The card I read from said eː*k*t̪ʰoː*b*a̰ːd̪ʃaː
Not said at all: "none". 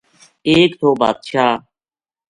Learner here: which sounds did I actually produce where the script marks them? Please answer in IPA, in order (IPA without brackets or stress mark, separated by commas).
k, b